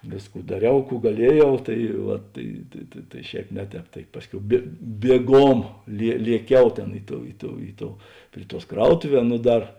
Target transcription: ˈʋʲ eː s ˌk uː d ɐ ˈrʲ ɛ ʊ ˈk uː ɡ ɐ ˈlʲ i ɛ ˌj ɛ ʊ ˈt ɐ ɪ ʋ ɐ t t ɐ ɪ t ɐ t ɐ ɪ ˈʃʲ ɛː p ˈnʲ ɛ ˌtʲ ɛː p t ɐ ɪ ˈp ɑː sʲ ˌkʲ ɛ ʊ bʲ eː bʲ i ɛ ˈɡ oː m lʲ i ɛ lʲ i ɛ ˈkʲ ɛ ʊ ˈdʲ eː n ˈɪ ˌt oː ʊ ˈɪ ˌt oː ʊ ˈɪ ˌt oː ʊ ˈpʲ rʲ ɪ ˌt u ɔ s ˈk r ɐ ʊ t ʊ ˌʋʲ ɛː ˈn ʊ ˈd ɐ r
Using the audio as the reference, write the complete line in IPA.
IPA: ˈʋʲ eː s ˌk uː d ɐ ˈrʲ ɛ ʊ ˈk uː ɡ ɐ ˈlʲ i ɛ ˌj ɛ ʊ ˈt ɐ ɪ ʋ ɐ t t ɐ ɪ t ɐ t ɐ ɪ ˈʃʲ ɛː p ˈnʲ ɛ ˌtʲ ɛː p t ɐ ɪ ˈp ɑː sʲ ˌkʲ ɛ ʊ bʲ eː bʲ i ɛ ˈɡ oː m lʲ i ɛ lʲ i ɛ ˈkʲ ɛ ʊ ˈtʲ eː n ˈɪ ˌt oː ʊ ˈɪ ˌt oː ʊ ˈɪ ˌt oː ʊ ˈpʲ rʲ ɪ ˌt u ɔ s ˈk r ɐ ʊ t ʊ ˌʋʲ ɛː ˈn ʊ ˈd ɐ r